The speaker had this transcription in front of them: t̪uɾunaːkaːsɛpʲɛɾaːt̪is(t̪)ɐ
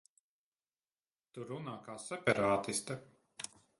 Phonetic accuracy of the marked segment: correct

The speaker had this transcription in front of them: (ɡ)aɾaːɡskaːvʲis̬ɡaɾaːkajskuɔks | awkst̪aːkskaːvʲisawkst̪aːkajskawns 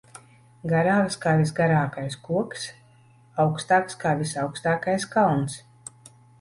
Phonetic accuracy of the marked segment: correct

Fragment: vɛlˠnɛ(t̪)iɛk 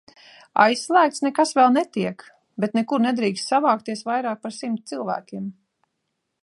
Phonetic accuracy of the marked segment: correct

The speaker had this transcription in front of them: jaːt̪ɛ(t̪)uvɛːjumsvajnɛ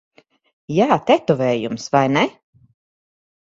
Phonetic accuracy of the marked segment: correct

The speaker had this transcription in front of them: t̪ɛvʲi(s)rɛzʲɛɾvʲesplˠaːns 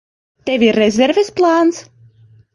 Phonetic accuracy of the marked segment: incorrect: none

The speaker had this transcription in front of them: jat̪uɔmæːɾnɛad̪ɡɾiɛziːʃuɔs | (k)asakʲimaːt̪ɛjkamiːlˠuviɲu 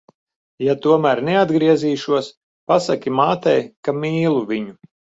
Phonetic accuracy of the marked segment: incorrect: p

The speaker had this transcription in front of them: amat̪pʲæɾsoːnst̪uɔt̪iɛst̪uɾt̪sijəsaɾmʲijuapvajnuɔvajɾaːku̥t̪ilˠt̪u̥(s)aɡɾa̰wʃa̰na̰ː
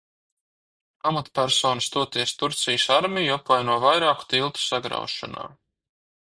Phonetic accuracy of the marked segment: correct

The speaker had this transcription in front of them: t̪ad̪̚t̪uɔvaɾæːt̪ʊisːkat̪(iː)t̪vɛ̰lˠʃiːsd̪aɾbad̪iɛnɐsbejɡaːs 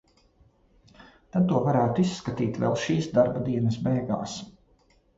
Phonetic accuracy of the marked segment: correct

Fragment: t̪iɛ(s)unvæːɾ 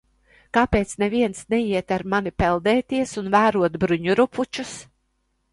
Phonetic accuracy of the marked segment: correct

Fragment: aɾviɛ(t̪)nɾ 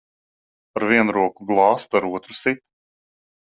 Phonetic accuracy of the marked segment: incorrect: none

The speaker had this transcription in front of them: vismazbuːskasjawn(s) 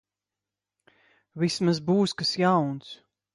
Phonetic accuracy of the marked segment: correct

